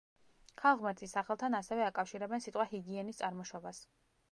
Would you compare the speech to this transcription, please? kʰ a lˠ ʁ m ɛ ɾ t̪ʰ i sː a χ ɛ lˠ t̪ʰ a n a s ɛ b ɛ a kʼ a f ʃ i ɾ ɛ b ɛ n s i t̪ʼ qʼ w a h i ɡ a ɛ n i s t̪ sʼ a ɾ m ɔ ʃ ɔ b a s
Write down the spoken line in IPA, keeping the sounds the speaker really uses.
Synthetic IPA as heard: kʰ a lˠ ʁ m ɛ ɾ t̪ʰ i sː a χ ɛ lˠ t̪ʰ a n a s ɛ v ɛ a kʼ a f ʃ i ɾ ɛ b ɛ n s i t̪ʼ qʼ w a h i ɡ i ɛ n i s t̪ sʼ a ɾ m ɔ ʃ ɔ b a s